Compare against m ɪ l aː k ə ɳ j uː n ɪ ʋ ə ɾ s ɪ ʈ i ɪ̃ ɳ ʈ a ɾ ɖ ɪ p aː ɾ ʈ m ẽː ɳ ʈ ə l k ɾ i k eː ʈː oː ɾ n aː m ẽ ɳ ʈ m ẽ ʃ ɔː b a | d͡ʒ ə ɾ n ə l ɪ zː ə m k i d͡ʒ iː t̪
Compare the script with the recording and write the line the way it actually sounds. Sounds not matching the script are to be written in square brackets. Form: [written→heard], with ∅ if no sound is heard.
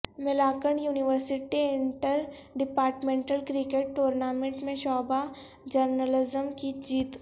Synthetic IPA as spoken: m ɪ l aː k ə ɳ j uː n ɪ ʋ ə ɾ s ɪ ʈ i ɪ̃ ɳ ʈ [a→ə] ɾ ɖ ɪ p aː ɾ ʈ m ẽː ɳ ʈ ə l k ɾ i k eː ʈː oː ɾ n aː m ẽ ɳ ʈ m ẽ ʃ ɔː b a | d͡ʒ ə ɾ n ə l ɪ [zː→z] ə m k i d͡ʒ iː t̪